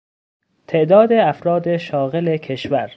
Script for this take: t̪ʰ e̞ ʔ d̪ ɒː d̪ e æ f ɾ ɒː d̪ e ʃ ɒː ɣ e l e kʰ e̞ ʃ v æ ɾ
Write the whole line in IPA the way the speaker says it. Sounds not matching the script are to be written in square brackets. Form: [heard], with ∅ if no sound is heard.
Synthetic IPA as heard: t̪ʰ e̞ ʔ d̪ ɒː d̪ e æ f ɾ ɒː d̪ e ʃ ɒː ɣ e l e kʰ e̞ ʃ v æ ɾ